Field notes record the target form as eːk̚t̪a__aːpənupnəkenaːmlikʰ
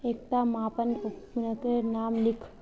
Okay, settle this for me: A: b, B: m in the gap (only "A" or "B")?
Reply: B